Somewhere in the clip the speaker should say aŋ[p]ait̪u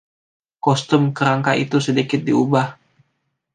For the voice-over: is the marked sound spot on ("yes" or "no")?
no